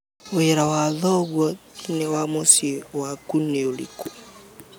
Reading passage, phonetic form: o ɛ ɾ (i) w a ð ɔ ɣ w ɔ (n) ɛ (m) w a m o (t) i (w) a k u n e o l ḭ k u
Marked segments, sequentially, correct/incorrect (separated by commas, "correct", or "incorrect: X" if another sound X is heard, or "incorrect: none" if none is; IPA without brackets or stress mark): incorrect: a, correct, incorrect: none, incorrect: s, correct